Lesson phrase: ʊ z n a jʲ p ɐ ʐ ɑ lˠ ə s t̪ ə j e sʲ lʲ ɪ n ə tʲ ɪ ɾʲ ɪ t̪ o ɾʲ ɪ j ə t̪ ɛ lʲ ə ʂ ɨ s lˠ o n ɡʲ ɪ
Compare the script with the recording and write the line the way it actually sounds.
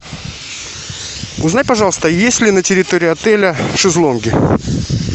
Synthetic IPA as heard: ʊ z n a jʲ p ɐ ʐ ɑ lˠ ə s t̪ ə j e sʲ lʲ ɪ n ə tʲ ɪ ɾʲ ɪ t̪ o ɾʲ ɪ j ɐ t̪ ɛ lʲ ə ʂ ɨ z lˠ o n ɡʲ ɪ

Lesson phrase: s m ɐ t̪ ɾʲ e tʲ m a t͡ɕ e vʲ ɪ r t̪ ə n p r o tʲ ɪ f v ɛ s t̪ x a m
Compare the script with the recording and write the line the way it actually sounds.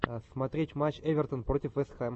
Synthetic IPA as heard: s m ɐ t̪ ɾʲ e tʲ m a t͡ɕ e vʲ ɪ r t̪ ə n p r o tʲ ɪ f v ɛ s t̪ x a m

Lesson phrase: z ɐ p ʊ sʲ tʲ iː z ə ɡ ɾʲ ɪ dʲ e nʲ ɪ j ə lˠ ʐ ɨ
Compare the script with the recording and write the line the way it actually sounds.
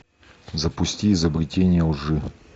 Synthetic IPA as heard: z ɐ p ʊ sʲ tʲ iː z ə b ɾʲ ɪ tʲ e nʲ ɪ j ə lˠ ʐ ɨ

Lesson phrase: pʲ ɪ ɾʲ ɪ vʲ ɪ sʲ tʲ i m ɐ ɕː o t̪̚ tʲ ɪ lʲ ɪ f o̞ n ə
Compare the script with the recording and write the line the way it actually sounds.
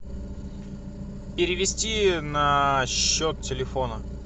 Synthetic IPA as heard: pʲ ɪ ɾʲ ɪ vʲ ɪ sʲ tʲ i n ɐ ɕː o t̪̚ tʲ ɪ lʲ ɪ f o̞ n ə

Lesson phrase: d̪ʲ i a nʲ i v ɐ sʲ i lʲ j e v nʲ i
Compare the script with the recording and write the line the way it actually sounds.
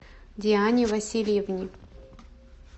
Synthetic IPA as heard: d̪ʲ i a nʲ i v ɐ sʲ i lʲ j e v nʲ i

